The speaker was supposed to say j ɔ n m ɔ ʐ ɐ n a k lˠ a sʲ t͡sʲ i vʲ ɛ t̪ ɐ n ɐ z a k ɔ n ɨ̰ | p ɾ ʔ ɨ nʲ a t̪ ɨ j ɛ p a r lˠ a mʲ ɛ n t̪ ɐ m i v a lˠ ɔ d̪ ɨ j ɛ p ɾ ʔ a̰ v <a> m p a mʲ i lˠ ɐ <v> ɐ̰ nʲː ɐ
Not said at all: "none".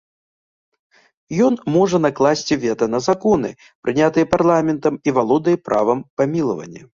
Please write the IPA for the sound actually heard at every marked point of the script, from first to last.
ɐ, v

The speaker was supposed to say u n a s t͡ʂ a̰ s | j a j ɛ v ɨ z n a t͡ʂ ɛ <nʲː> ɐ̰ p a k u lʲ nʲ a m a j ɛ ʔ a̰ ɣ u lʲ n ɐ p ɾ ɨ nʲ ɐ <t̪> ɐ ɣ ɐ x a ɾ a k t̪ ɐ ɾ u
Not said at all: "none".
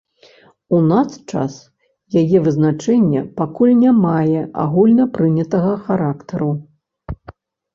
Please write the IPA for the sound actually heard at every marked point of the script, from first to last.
nʲː, t̪

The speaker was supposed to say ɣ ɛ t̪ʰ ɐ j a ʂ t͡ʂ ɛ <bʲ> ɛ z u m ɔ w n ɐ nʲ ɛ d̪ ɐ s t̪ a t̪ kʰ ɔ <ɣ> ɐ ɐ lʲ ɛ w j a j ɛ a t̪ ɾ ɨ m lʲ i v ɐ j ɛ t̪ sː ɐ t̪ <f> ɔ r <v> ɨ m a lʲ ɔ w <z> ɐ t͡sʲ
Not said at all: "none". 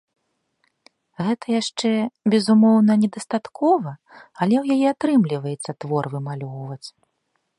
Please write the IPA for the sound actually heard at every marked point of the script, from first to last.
bʲ, v, v, v, v

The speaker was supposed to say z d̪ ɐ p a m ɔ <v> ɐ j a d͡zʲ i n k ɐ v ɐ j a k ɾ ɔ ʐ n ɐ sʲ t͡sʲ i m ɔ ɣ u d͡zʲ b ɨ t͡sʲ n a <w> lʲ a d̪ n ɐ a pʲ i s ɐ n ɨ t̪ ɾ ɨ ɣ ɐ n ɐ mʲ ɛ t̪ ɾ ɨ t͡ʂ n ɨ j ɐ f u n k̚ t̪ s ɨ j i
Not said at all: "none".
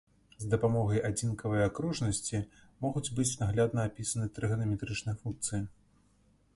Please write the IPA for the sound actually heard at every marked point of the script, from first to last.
ɣ, ɣ

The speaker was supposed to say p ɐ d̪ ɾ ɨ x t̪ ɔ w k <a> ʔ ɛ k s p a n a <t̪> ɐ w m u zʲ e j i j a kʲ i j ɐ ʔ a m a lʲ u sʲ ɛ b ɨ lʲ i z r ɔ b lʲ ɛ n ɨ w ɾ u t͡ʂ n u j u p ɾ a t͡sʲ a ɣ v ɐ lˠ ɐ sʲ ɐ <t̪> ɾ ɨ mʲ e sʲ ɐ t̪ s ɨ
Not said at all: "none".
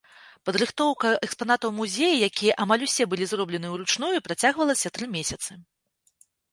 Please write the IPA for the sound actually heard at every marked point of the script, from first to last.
ɐ, t̪, t̪

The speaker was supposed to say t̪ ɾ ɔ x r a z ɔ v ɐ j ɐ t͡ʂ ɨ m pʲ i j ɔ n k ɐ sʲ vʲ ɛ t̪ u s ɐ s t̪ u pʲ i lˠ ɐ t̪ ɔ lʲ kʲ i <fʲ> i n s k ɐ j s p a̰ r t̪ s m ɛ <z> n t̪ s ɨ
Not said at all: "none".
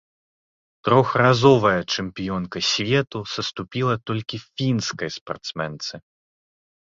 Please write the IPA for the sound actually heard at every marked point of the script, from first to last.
fʲ, none

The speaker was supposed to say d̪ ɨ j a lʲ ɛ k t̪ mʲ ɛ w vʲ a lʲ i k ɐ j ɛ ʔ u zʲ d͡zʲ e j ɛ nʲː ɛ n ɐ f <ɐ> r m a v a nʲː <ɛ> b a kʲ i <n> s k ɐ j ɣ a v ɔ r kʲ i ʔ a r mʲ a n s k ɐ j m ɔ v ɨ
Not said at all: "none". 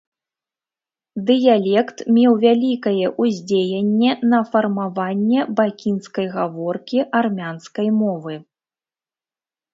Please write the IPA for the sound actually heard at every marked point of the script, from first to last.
ɐ, ɛ, n

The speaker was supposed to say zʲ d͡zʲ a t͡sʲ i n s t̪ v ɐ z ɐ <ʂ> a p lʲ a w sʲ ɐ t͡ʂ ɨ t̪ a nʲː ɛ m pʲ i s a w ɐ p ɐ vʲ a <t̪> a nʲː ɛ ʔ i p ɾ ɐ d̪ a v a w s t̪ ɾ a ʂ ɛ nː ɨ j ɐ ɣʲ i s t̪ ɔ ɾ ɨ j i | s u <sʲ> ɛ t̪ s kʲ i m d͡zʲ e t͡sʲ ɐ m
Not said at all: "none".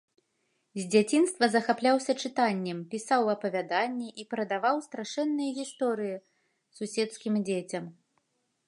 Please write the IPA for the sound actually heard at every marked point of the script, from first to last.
x, d̪, sʲ

